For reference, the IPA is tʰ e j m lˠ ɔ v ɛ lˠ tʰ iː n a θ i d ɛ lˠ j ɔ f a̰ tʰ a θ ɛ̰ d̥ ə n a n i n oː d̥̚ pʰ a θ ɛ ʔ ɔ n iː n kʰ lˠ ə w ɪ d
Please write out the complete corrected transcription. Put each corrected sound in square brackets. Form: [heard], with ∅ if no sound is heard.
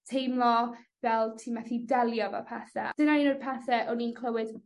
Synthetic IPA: tʰ e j m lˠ ɔ v ɛ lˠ tʰ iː [m] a θ i d ɛ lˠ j ɔ [v] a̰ [pʰ] a θ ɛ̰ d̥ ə n a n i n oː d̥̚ pʰ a θ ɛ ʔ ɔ n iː n kʰ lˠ ə w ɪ d